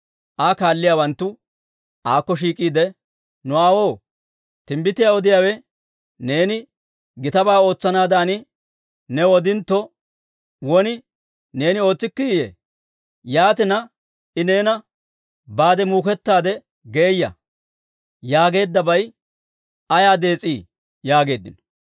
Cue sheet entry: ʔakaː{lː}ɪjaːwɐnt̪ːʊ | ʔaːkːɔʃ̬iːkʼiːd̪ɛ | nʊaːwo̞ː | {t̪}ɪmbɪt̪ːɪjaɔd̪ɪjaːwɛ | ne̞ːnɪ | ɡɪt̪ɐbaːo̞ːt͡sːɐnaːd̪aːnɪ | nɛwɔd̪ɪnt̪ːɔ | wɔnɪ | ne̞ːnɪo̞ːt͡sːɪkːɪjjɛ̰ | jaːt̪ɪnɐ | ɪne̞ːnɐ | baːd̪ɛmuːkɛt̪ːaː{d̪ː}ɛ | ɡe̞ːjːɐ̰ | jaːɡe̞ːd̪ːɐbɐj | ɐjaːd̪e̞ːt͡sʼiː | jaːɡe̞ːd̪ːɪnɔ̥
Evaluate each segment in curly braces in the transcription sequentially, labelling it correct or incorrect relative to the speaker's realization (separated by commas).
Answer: correct, correct, incorrect